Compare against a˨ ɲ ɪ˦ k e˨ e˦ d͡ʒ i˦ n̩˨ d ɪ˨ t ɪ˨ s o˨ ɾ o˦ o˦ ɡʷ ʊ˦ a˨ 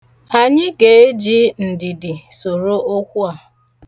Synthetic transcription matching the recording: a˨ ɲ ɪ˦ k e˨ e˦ d͡ʒ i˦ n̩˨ d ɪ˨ d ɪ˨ s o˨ ɾ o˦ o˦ kʷ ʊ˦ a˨